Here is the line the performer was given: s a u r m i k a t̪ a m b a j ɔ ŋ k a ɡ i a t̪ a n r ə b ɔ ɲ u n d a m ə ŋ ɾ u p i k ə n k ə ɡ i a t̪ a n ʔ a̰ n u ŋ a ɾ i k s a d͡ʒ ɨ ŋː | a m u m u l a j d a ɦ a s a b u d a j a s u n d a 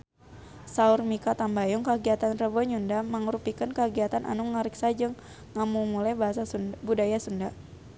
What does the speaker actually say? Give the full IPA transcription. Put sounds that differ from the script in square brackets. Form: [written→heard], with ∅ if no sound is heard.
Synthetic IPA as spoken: s a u r m i k a t̪ a m b a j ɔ ŋ k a ɡ i a t̪ a n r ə b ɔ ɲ u n d a m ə ŋ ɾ u p i k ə n k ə ɡ i a t̪ a n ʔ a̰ n u ŋ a ɾ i k s a d͡ʒ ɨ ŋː | a m u m u l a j [d→b] a ɦ a s a b u d a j a s u n d a